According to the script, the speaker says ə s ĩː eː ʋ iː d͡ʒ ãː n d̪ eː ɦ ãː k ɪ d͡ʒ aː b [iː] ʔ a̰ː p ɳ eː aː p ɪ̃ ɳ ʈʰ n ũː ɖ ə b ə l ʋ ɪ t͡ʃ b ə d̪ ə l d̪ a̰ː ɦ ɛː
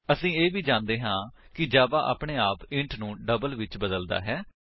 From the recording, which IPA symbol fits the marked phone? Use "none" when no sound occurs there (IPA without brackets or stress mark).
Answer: aː